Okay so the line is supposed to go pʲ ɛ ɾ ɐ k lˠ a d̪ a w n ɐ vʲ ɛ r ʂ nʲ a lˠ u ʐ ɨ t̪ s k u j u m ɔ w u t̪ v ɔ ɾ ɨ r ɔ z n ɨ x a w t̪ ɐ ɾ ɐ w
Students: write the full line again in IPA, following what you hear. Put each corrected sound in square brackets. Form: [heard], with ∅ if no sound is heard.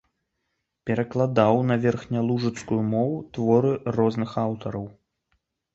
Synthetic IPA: pʲ ɛ ɾ ɐ k lˠ a d̪ a w n ɐ vʲ ɛ r [x] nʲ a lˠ u ʐ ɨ t̪ s k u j u m ɔ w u t̪ v ɔ ɾ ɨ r ɔ z n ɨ x a w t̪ ɐ ɾ ɐ w